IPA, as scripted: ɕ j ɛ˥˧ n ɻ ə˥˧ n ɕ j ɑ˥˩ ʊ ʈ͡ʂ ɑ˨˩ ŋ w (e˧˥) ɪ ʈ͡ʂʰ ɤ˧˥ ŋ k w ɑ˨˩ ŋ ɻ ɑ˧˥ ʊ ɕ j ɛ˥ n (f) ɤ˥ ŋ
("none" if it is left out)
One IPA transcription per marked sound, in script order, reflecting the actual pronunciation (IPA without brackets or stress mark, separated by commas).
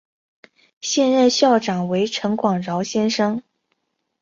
e˧˥, ʂ